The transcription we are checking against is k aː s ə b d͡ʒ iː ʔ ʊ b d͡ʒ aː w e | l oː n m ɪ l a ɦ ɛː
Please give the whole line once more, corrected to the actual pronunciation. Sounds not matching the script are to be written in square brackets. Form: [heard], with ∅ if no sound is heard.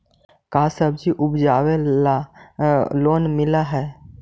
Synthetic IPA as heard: k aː s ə b d͡ʒ [i] ʔ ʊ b d͡ʒ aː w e | l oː n m ɪ l a ɦ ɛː